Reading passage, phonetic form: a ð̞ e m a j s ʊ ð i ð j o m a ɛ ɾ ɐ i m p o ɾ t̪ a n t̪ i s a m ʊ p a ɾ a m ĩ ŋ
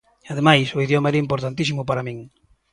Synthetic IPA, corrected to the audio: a ð̞ e m a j s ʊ i ð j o m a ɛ ɾ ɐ i m p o ɾ t̪ a n t̪ i s i m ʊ p a ɾ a m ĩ ŋ